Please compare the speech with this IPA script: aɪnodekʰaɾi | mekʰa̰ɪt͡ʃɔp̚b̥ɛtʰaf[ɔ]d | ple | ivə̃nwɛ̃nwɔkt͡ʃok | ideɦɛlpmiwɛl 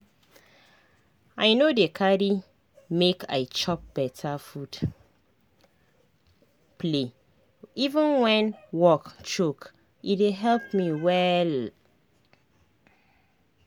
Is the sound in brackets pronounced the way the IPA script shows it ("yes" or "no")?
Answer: no